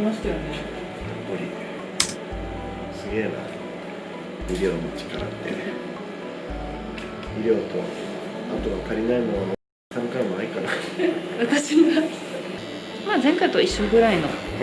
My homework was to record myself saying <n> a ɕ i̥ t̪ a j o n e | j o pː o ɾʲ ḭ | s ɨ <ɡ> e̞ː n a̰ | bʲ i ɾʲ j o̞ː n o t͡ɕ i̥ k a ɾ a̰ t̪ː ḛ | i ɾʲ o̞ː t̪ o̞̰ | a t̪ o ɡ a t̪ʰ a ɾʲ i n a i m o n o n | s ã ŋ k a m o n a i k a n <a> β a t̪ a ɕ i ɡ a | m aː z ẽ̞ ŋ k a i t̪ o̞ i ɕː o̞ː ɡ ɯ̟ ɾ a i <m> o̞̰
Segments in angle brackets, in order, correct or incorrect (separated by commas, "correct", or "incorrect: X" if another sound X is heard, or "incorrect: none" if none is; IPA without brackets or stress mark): incorrect: m, correct, correct, incorrect: n